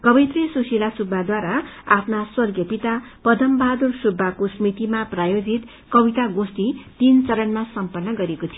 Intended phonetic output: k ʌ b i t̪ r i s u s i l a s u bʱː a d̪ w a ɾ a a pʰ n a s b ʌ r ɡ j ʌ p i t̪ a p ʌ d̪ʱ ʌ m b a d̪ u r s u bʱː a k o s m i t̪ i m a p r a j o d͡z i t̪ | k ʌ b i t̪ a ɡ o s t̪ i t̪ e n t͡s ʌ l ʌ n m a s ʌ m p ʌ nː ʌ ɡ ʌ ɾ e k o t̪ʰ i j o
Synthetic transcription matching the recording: k ʌ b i t̪ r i s u s i l a s u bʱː a d̪ w a ɾ a a pʰ n a s w ʌ r ɡ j ʌ p i t̪ a p ʌ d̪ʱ ʌ m b a d̪ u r s u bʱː a k o s m i t̪ i m a p r a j o d͡z i t̪ | k ʌ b i t̪ a ɡ o s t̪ i t̪ i n t͡s ʌ ɾ ʌ n m a s ʌ m p ʌ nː ʌ ɡ ʌ ɾ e k o t̪ʰ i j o